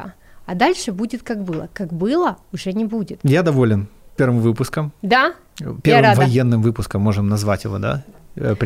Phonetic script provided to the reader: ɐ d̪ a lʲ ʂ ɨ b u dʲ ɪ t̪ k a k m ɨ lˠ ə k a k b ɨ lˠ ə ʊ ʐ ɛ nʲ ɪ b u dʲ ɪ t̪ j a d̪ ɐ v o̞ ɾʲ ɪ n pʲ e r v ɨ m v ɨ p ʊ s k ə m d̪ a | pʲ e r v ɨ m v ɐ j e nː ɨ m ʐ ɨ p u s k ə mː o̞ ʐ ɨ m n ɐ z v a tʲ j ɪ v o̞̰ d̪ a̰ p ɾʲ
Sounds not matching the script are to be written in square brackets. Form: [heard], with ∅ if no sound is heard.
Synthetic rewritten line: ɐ d̪ a lʲ ʂ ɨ b u dʲ ɪ t̪ k a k [b] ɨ lˠ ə k a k b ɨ lˠ ə ʊ ʐ ɛ nʲ ɪ b u dʲ ɪ t̪ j a d̪ ɐ v o̞ [lʲ] ɪ n pʲ e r v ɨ m v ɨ p ʊ s k ə m d̪ a | pʲ e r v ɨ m v ɐ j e nː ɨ m [v] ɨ p [ʊ] s k ə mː o̞ ʐ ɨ m n ɐ z v a tʲ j ɪ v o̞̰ d̪ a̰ p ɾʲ